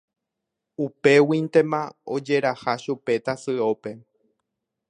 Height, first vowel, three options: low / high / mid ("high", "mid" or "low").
high